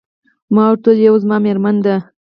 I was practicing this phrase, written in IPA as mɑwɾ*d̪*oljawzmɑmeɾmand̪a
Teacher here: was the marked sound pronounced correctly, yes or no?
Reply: no